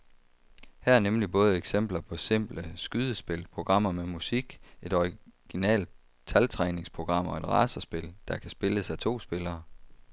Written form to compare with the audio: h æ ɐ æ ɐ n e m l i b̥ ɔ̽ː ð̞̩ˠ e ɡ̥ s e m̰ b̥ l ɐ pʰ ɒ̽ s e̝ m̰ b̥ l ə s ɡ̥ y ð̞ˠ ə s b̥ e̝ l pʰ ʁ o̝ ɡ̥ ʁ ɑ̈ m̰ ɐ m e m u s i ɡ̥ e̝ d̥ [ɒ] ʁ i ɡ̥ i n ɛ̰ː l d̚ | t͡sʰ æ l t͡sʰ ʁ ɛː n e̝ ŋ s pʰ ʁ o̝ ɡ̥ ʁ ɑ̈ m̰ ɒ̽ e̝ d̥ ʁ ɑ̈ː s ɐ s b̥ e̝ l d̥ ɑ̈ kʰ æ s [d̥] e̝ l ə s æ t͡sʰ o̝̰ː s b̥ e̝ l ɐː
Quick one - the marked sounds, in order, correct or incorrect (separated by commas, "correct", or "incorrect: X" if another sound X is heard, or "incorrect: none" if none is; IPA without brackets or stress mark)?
correct, incorrect: b̥